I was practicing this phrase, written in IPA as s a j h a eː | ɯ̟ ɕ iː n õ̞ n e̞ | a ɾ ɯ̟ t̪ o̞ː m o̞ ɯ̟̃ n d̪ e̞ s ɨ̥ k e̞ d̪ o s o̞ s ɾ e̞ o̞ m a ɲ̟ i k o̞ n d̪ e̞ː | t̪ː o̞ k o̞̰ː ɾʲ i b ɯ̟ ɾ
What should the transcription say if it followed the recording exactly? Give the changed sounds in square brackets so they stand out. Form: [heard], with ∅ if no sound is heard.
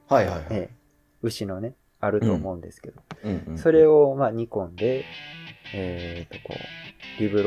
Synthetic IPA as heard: [h] a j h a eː | ɯ̟ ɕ [i] n [o̞] n e̞ | a ɾ ɯ̟ t̪ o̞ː m o̞ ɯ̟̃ n d̪ e̞ s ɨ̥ k e̞ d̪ o s o̞ [∅] ɾ e̞ o̞ m a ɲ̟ i k [õ̞] n d̪ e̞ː | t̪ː o̞ k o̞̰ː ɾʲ i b ɯ̟ ɾ